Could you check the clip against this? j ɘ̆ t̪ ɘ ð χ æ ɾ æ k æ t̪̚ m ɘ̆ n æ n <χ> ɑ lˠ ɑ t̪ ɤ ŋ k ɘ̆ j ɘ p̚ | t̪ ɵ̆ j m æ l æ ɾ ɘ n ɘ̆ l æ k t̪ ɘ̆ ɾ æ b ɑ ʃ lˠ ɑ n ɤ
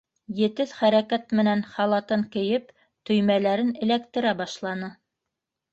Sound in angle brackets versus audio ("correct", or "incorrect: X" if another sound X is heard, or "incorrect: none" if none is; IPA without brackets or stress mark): correct